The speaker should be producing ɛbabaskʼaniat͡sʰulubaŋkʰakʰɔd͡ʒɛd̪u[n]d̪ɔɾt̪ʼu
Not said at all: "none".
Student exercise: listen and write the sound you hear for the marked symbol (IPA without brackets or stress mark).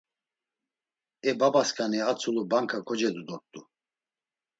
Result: none